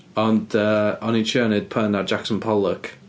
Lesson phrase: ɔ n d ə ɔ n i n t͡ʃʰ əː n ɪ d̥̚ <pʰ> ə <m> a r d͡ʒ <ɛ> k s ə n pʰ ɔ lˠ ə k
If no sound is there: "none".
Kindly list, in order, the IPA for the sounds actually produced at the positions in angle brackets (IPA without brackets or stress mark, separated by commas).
pʰ, n, a